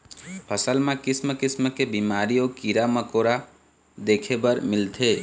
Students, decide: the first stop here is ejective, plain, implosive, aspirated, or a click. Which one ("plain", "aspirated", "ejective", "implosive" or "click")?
aspirated